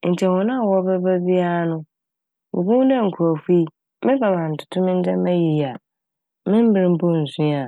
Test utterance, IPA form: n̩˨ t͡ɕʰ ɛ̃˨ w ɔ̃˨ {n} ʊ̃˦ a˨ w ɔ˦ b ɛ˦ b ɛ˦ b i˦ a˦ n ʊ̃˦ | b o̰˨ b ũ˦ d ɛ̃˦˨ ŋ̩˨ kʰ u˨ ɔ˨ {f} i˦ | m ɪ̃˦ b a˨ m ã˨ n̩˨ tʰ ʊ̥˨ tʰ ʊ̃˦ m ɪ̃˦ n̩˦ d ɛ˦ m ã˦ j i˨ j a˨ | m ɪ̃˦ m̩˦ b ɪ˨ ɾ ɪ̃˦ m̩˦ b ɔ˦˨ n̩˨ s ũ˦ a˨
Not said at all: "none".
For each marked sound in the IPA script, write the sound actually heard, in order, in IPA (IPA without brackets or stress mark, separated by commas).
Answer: n, f